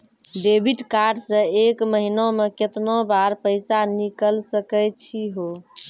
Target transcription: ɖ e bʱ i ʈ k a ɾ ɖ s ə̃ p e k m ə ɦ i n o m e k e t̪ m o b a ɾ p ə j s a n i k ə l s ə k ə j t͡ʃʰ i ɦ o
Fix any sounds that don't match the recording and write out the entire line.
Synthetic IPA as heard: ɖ e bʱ i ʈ k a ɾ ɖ s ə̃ e k m ə ɦ i n o m e k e t̪ n o b a ɾ p ə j s a n i k ə l s ə k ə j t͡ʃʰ i ɦ o